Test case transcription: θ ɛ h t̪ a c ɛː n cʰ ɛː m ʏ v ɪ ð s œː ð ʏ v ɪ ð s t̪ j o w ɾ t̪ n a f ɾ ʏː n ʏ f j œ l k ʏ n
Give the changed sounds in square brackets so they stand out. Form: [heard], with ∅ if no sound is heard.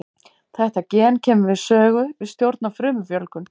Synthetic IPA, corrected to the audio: θ ɛ h t̪ a c ɛː n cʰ ɛː m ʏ v ɪ ð s œː [ɣ] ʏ v ɪ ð s t̪ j o w ɾ t̪ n a f ɾ ʏː [m] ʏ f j œ l k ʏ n